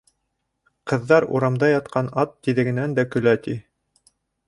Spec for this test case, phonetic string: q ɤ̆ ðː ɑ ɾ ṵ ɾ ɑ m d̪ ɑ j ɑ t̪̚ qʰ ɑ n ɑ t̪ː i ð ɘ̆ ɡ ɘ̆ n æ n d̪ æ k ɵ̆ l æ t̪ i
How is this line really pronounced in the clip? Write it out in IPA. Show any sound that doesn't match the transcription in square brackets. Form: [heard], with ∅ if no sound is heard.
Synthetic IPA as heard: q ɤ̆ ðː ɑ ɾ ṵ ɾ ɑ m d̪ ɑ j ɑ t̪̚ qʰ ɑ n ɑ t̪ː i ð ɘ̆ ɡ ɘ̆ n æ n d̪ æ k ɵ̆ l æ t̪ i